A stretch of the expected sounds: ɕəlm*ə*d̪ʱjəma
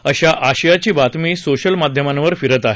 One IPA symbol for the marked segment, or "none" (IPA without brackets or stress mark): a